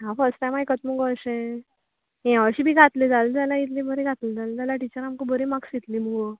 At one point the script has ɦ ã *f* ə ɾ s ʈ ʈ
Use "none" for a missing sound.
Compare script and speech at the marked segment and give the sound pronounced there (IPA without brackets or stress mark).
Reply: f